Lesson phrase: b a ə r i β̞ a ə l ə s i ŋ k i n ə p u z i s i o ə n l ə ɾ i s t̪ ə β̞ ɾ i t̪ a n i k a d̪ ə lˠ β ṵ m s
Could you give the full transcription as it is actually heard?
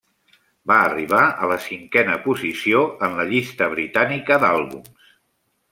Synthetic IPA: b a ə r i β̞ a ə l ə s i ŋ k ɛ n ə p u z i s i o ə n l ə ʎ i s t̪ ə β̞ ɾ i t̪ a n i k ə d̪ a lˠ β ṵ m s

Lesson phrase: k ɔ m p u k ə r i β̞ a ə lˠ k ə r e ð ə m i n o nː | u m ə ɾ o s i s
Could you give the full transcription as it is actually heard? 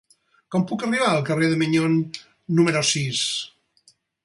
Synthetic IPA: k ɔ m p u k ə r i β̞ a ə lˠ k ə r e ð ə m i ɲ o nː | u m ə ɾ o s i s

